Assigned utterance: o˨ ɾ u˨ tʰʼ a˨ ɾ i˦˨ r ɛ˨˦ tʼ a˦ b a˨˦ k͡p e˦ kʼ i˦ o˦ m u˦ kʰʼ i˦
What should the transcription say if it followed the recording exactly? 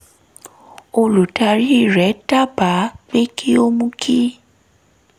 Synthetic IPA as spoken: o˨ l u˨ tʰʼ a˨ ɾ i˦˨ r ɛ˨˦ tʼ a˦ b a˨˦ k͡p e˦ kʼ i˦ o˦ m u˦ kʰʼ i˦